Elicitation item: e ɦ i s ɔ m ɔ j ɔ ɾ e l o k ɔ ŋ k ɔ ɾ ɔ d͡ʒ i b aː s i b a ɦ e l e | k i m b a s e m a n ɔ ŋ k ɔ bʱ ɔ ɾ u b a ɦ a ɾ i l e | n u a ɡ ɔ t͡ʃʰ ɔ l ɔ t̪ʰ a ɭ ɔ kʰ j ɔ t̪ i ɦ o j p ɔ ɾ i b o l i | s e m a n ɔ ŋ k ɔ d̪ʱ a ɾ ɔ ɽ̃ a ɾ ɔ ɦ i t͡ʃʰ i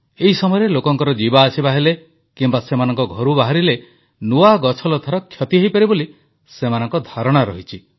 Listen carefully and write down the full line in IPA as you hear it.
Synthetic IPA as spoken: e ɦ i s ɔ m ɔ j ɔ ɾ e l o k ɔ ŋ k ɔ ɾ ɔ d͡ʒ i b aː s i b a ɦ e l e | k i m b a s e m a n ɔ ŋ k ɔ ɡʱ ɔ ɾ u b a ɦ a ɾ i l e | n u a ɡ ɔ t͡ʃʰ ɔ l ɔ t̪ʰ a ɾ ɔ kʰ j ɔ t̪ i ɦ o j p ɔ ɾ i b o l i | s e m a n ɔ ŋ k ɔ d̪ʱ a ɾ ɔ ɽ̃ a ɾ ɔ ɦ i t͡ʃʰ i

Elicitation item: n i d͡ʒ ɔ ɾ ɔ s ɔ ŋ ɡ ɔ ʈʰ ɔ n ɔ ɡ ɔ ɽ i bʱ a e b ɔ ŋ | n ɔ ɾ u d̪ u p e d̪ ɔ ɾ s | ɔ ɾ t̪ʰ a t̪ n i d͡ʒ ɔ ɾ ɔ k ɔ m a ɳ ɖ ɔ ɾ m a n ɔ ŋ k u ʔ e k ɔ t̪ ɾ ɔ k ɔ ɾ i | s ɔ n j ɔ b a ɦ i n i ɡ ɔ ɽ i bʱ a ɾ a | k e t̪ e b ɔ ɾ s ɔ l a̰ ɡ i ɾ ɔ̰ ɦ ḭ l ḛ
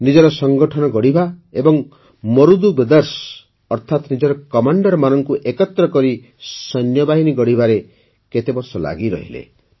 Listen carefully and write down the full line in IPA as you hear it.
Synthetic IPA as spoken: n i d͡ʒ ɔ ɾ ɔ s ɔ ŋ ɡ ɔ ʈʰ ɔ n ɔ ɡ ɔ ɽ i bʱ a e b ɔ ŋ | m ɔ ɾ u d̪ u b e d̪ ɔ ɾ s | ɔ ɾ t̪ʰ a t̪ n i d͡ʒ ɔ ɾ ɔ k ɔ m a ɳ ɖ ɔ ɾ m a n ɔ ŋ k u ʔ e k ɔ t̪ ɾ ɔ k ɔ ɾ i | s ɔ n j ɔ b a ɦ i n i ɡ ɔ ɽ i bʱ a ɾ e | k e t̪ e b ɔ ɾ s ɔ l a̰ ɡ i ɾ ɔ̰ ɦ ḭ l ḛ

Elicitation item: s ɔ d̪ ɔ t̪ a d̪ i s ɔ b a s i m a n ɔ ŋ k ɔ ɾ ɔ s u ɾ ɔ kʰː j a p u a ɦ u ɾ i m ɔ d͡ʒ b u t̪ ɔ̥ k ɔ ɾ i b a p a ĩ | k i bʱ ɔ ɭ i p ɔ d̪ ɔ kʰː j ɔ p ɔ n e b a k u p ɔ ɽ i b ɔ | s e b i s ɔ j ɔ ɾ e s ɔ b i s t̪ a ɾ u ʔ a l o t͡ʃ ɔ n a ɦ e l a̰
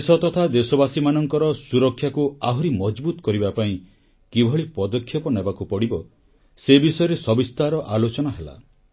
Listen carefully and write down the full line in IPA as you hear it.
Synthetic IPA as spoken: s ɔ t̪ ɔ t̪ʰ a d̪ e s ɔ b a s i m a n ɔ ŋ k ɔ ɾ ɔ s u ɾ ɔ kʰː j a k u a ɦ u ɾ i m ɔ d͡ʒ b u t̪ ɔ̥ k ɔ ɾ i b a p a ĩ | k i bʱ ɔ ɭ i p ɔ d̪ ɔ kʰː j ɔ p ɔ n e b a k u p ɔ ɽ i b ɔ | s e b i s ɔ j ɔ ɾ e s ɔ b i s t̪ a ɾ ɔ ʔ a l o t͡ʃ ɔ n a ɦ e l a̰

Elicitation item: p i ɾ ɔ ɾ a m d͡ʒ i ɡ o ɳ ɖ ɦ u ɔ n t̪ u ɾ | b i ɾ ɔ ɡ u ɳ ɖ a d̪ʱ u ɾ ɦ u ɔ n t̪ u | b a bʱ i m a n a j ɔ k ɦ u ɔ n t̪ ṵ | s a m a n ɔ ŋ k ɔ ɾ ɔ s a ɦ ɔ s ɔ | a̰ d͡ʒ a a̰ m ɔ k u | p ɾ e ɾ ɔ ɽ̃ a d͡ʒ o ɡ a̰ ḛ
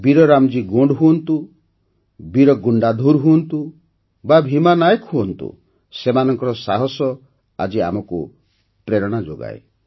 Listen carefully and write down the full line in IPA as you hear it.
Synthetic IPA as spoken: b i ɾ ɔ ɾ a m d͡ʒ i ɡ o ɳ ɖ ɦ u ɔ n t̪ u | b i ɾ ɔ ɡ u ɳ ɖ a d̪ʱ u ɾ ɦ u ɔ n t̪ u | b a bʱ i m a n a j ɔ k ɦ u ɔ n t̪ ṵ | s e m a n ɔ ŋ k ɔ ɾ ɔ s a ɦ ɔ s ɔ | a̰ d͡ʒ i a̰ m ɔ k u | p ɾ e ɾ ɔ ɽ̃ a d͡ʒ o ɡ a̰ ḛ

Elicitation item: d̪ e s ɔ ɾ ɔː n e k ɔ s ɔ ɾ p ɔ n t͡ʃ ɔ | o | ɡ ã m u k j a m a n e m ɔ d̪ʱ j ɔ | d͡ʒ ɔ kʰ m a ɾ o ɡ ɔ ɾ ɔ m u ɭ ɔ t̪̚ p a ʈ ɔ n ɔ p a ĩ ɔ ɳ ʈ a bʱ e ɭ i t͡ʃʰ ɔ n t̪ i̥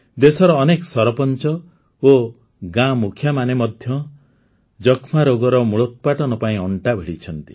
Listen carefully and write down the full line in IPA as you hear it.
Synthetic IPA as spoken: d̪ e s ɔ ɾ ɔː n e k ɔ s ɔ ɾ p ɔ n t͡ʃ ɔ | o | ɡ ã m u kʰ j a m a n e m ɔ d̪ʱ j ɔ | d͡ʒ ɔ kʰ m a ɾ o ɡ ɔ ɾ ɔ m u ɭ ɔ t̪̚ p a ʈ ɔ n ɔ p a ĩ ɔ ɳ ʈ a bʱ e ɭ i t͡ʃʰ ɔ n t̪ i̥

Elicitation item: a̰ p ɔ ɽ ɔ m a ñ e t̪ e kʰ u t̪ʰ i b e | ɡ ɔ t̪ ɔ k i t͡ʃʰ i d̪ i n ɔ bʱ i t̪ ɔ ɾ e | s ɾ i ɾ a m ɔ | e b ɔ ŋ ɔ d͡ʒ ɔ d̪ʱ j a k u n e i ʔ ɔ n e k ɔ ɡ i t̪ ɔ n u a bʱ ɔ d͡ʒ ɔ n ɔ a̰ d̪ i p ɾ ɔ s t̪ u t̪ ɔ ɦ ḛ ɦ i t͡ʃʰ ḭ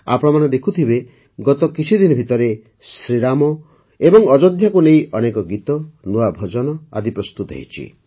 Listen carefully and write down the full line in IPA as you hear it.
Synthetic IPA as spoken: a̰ p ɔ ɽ ɔ m a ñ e d̪ e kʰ u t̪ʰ i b e | ɡ ɔ t̪ ɔ k i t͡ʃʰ i d̪ i n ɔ bʱ i t̪ ɔ ɾ e | s ɾ i ɾ a m ɔ | e b ɔ ŋ ɔ d͡ʒ ɔ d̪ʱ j a k u n e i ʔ ɔ n e k ɔ ɡ i t̪ ɔ n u a bʱ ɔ d͡ʒ ɔ n ɔ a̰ d̪ i p ɾ ɔ s t̪ u t̪ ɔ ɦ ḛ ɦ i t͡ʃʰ ḭ

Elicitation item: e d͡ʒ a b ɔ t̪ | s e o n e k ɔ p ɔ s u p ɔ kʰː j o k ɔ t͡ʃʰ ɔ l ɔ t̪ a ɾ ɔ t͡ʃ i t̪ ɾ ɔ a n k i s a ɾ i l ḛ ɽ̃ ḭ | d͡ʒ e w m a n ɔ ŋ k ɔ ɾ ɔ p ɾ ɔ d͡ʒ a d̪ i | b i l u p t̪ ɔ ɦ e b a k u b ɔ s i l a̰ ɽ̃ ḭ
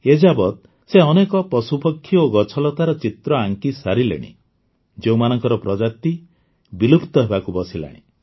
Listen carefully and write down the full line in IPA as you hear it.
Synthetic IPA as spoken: e d͡ʒ a b ɔ t̪ | s e ɔ n e k ɔ p ɔ s u p ɔ kʰː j o ɡ ɔ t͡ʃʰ ɔ l ɔ t̪ a ɾ ɔ t͡ʃ i t̪ ɾ ɔ a ŋ k i s a ɾ i l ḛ ɽ̃ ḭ | d͡ʒ e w m a n ɔ ŋ k ɔ ɾ ɔ p ɾ ɔ d͡ʒ a t̪ i | b i l u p t̪ ɔ ɦ e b a k u b ɔ s i l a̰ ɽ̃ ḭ

